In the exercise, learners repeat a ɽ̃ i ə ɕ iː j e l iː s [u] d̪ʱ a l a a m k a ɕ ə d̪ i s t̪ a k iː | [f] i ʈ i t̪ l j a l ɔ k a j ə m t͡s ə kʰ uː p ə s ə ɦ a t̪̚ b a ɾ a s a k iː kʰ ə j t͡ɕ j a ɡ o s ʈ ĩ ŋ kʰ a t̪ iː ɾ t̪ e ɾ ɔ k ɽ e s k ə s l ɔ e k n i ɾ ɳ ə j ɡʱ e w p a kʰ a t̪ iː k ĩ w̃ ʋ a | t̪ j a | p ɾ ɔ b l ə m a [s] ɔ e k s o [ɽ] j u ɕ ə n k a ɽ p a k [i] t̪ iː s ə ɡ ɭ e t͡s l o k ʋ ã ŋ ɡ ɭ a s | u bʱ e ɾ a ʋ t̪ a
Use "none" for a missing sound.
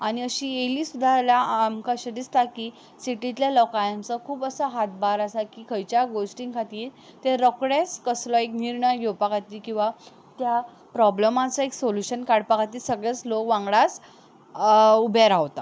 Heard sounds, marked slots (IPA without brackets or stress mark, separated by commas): u, s, t͡s, l, a